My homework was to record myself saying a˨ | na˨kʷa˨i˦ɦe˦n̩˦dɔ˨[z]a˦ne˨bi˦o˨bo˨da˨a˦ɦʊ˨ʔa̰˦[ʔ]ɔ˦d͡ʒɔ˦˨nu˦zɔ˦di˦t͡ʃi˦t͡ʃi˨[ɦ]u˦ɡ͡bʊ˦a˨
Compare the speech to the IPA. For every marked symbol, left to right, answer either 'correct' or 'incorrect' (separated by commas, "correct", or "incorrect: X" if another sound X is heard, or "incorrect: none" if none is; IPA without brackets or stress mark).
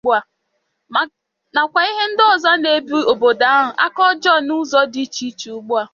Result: correct, incorrect: k, incorrect: none